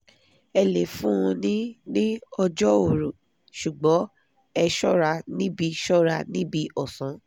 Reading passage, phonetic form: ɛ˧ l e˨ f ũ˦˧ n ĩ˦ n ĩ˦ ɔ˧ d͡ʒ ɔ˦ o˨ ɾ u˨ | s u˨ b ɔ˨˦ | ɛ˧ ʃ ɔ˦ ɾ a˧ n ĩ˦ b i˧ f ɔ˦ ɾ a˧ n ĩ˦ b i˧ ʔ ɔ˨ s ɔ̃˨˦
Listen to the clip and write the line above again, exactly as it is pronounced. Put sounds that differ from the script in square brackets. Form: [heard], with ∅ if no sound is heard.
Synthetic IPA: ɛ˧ l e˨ f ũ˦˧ n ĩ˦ n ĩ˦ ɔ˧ d͡ʒ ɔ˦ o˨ ɾ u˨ | [ʃ] u˨ [ɡ͡b] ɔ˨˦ | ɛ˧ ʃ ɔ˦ ɾ a˧ n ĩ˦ b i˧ [ʃ] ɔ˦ ɾ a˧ n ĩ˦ b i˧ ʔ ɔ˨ s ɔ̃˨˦